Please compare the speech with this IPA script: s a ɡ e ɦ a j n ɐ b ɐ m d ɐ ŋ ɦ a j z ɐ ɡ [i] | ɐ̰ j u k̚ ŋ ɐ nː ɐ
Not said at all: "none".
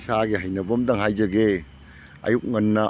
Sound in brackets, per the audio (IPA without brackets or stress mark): e